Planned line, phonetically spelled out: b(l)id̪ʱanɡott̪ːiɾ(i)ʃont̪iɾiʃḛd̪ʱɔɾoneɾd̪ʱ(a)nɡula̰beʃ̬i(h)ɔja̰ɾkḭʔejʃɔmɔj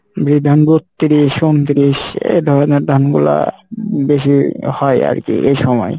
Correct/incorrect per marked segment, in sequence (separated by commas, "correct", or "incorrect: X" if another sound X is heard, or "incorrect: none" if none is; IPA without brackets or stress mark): incorrect: ɾ, correct, correct, correct